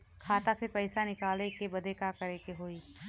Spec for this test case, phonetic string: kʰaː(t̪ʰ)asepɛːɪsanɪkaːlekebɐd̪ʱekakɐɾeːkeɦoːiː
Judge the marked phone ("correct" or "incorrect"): incorrect